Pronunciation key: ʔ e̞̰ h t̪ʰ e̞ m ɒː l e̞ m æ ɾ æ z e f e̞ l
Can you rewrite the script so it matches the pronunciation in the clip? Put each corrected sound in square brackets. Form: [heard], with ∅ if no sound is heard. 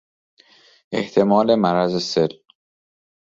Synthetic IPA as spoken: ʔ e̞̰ h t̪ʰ e̞ m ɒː l e̞ m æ ɾ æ z e [s] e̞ l